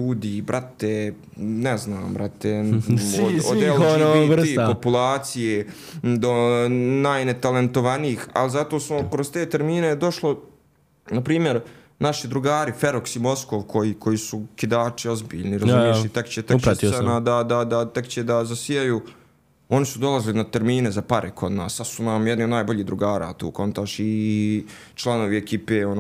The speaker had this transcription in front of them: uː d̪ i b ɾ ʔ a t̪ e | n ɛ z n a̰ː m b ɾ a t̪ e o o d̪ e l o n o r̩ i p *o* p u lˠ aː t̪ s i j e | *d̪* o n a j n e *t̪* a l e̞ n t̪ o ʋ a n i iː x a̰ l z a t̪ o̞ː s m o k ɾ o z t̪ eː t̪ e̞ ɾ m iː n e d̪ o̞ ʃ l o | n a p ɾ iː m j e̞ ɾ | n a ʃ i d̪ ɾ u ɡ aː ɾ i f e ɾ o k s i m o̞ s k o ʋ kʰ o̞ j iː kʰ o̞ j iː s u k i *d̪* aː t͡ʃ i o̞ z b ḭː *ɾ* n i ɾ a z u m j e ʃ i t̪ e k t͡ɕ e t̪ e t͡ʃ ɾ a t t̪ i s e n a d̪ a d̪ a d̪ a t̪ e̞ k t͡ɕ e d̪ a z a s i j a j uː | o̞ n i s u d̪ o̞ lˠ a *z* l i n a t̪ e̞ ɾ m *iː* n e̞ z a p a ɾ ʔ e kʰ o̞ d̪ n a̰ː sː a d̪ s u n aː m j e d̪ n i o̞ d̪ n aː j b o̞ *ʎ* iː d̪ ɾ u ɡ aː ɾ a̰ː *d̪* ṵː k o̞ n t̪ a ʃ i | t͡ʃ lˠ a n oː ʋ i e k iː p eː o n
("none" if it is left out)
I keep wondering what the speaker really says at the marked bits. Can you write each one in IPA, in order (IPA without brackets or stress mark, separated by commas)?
o, d̪, t̪, d̪, ʎ, z, iː, ʎ, t̪